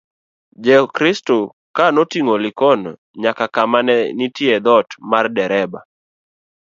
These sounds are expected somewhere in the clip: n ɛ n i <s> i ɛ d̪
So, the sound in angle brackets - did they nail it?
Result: no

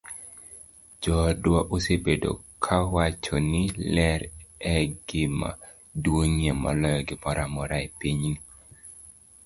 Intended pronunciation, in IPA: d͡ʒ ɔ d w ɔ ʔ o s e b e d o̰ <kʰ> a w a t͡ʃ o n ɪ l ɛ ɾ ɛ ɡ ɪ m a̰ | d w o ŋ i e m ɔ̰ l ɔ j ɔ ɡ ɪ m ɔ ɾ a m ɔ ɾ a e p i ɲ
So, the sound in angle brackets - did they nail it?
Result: yes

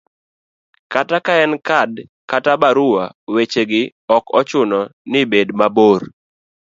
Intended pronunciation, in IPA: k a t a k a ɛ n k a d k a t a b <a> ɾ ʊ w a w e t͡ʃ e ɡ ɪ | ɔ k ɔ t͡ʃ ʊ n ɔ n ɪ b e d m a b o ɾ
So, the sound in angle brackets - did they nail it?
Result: yes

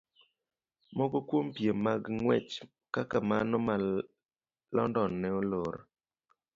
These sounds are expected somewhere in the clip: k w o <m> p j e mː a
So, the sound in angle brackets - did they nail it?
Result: yes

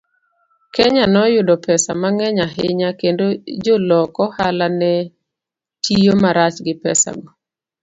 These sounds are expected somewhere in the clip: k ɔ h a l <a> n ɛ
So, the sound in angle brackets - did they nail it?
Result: yes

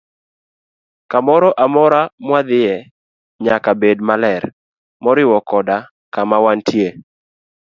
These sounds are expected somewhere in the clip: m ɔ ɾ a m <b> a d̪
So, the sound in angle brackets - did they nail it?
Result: no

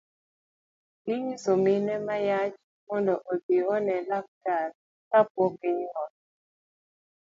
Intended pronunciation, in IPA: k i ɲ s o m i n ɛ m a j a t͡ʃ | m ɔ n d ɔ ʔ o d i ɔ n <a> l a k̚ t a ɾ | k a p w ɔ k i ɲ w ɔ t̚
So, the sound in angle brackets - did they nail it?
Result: no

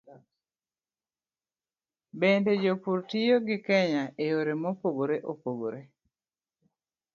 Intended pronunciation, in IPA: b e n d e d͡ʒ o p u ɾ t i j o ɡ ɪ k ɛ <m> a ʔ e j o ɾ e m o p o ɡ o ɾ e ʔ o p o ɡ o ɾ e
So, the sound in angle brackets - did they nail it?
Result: no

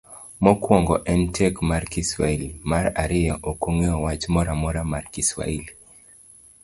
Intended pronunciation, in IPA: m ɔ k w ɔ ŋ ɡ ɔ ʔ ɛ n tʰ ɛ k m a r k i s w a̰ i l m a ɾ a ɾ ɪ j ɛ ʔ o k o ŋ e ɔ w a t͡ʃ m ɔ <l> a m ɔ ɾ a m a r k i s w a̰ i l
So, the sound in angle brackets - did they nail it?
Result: no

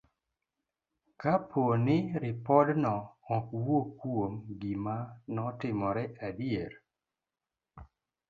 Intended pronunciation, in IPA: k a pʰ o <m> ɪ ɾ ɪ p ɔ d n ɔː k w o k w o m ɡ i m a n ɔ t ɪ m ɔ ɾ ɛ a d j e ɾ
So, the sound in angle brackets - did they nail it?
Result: no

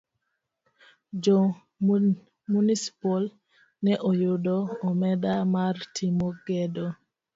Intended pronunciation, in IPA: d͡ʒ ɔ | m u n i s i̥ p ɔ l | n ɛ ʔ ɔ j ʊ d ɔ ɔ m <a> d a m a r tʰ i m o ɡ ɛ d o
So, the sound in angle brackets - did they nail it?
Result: no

